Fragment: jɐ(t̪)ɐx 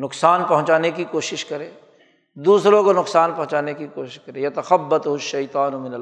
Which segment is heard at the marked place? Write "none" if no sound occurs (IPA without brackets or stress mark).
t̪